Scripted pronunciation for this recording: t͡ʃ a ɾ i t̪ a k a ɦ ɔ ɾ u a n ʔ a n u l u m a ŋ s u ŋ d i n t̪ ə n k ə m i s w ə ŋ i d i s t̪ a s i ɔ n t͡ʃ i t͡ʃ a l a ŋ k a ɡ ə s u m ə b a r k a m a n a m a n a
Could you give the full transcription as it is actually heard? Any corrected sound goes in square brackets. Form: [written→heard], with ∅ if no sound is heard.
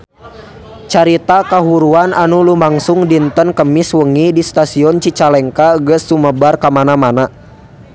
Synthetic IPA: t͡ʃ a ɾ i t̪ a k a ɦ [ɔ→u] ɾ u a n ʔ a n u l u m a ŋ s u ŋ d i n t̪ ə n k ə m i s w ə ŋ i d i s t̪ a s i ɔ n t͡ʃ i t͡ʃ a l [a→ɛ] ŋ k a ɡ ə s u m ə b a r k a m a n a m a n a

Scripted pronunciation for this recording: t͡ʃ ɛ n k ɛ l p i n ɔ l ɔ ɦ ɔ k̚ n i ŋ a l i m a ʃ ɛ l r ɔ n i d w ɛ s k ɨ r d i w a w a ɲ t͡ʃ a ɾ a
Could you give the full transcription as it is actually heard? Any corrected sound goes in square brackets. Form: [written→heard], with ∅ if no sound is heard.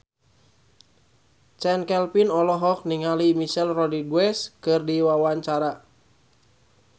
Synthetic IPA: t͡ʃ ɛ n k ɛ l p i n ɔ l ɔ ɦ ɔ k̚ n i ŋ a l i m [a→i] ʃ ɛ l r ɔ [n→d] i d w ɛ s k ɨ r d i w a w a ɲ t͡ʃ a ɾ a

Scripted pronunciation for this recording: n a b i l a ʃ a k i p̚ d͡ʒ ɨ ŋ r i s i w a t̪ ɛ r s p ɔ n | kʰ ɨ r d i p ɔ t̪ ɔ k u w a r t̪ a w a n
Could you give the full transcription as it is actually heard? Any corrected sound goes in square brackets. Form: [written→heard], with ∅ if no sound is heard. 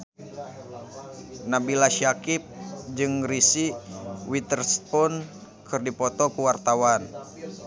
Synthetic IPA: n a b i l a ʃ a k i p̚ d͡ʒ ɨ ŋ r i s i w [a→i] t̪ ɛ r s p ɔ n | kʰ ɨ r d i p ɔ t̪ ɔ k u w a r t̪ a w a n

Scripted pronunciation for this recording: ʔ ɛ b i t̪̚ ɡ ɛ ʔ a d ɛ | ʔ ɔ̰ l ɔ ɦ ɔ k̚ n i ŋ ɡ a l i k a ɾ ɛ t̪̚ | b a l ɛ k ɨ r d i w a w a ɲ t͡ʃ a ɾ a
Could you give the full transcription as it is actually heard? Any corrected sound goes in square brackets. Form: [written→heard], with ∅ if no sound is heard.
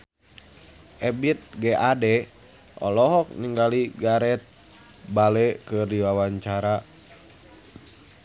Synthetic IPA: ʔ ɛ b i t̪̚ ɡ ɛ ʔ a d ɛ | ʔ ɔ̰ l ɔ ɦ ɔ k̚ n i ŋ ɡ a l i [k→ɡ] a ɾ ɛ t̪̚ | b a l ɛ k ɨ r d i w a w a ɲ t͡ʃ a ɾ a

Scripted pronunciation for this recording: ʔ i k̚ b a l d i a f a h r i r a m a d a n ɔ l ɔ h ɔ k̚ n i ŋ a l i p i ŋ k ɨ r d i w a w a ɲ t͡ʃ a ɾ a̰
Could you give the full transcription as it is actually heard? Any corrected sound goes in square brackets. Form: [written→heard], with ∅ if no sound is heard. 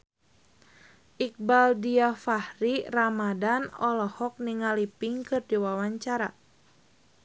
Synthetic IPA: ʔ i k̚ b a l d i a f a h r i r a m a d a n ɔ l ɔ h ɔ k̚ n i ŋ a l i p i ŋ k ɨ r d i w a w a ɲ t͡ʃ a ɾ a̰

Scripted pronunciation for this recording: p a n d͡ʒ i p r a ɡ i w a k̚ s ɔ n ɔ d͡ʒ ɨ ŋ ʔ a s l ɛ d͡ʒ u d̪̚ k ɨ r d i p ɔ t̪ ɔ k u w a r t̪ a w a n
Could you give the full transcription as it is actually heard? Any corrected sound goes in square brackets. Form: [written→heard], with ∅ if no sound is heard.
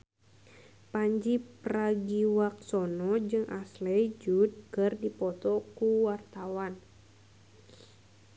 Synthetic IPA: p a [n→ɲ] d͡ʒ i p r a ɡ i w a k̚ s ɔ n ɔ d͡ʒ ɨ ŋ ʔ a s l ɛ d͡ʒ u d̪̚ k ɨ r d i p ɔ t̪ ɔ k u w a r t̪ a w a n

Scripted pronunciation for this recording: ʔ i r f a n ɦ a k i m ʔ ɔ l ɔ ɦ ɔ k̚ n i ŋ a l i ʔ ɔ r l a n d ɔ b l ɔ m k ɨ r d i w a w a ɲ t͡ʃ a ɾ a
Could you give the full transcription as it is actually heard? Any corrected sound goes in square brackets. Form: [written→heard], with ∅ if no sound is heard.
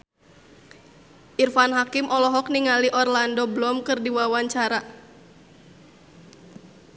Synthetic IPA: ʔ i r f a n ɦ a k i m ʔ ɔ l ɔ ɦ ɔ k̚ n i ŋ a l i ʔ ɔ r l a n d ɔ b l ɔ m k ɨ r d i w a w a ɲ t͡ʃ a ɾ a

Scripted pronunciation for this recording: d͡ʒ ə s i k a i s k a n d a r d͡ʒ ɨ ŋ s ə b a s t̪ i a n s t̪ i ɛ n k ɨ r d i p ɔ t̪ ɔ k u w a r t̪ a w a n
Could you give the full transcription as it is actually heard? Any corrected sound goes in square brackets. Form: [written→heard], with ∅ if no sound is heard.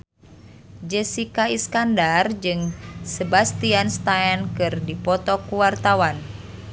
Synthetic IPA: d͡ʒ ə s i k a i s k a n d a r d͡ʒ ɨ ŋ s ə b a s t̪ i a n s t̪ [i→a] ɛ n k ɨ r d i p ɔ t̪ ɔ k u w a r t̪ a w a n

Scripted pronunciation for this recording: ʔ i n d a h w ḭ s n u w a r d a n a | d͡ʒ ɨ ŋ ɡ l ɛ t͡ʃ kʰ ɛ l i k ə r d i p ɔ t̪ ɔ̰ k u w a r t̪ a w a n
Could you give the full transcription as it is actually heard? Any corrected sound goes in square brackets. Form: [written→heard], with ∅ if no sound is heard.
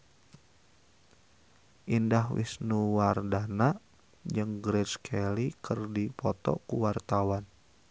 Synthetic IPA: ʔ i n d a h w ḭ s n u w a r d a n a | d͡ʒ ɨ ŋ ɡ [l→ɾ] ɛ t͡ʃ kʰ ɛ l i k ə r d i p ɔ t̪ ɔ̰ k u w a r t̪ a w a n

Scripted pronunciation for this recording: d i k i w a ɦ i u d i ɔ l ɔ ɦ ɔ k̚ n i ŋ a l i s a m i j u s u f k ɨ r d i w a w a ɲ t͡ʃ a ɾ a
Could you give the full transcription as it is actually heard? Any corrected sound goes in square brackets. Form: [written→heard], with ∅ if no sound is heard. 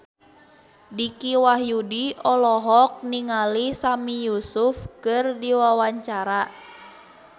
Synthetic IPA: d i k i w a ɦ [i→j] u d i ɔ l ɔ ɦ ɔ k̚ n i ŋ a l i s a m i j u s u f k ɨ r d i w a w a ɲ t͡ʃ a ɾ a

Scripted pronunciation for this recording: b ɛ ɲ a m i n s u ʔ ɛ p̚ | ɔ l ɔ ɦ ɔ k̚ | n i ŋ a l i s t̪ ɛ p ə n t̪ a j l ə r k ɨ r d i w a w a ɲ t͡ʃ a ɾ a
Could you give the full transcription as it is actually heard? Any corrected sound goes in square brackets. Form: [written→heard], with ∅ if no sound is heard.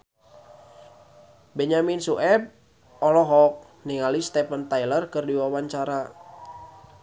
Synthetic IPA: b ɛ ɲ a m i n s u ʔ ɛ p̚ | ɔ l ɔ ɦ ɔ k̚ | n i ŋ a l i s t̪ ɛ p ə n t̪ a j l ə r k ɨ r d i w a w a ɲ t͡ʃ a ɾ a

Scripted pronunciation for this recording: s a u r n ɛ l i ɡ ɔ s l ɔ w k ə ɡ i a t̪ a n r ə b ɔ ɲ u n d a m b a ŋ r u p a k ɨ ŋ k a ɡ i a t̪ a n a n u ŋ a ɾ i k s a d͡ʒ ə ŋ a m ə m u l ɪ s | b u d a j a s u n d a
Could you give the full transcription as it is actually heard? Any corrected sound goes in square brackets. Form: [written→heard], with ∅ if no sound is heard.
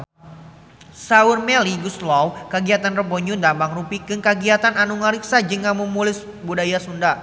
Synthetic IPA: s a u r [n→m] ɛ l i ɡ [ɔ→u] s l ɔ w k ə ɡ i a t̪ a n r ə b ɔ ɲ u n d a m b a ŋ r u p [a→i] k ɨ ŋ k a ɡ i a t̪ a n a n u ŋ a ɾ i k s a d͡ʒ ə ŋ a m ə m u l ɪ s | b u d a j a s u n d a

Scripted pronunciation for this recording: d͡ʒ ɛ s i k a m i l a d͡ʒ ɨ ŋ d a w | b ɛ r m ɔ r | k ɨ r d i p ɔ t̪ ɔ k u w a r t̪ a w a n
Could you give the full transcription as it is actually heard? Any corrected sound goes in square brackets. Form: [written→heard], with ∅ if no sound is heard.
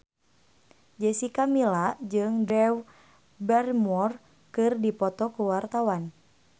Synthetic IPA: d͡ʒ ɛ s i k a m i l a d͡ʒ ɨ ŋ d [a→ɛ] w | b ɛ r m ɔ r | k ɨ r d i p ɔ t̪ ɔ k u w a r t̪ a w a n

